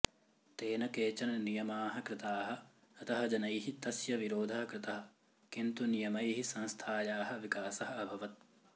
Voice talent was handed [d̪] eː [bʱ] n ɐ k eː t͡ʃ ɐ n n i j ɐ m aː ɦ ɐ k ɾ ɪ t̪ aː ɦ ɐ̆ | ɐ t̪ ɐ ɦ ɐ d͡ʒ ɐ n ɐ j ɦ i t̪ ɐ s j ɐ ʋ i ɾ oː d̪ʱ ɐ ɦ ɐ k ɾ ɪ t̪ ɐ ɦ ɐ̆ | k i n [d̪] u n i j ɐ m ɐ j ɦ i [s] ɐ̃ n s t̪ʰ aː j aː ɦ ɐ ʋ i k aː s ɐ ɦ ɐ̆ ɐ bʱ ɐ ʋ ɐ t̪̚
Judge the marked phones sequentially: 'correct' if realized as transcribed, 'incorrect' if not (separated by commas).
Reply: incorrect, incorrect, incorrect, correct